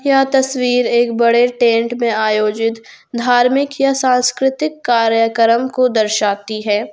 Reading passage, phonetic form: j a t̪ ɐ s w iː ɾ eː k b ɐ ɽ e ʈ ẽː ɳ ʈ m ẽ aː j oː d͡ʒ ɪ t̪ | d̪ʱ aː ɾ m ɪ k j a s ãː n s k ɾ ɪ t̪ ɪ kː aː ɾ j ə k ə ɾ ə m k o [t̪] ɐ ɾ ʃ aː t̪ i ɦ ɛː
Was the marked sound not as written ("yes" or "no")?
yes